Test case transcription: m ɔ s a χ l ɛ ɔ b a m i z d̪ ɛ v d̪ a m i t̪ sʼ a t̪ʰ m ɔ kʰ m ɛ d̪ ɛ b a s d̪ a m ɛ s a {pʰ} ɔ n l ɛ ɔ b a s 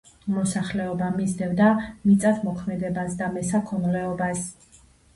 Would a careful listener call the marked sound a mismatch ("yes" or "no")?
yes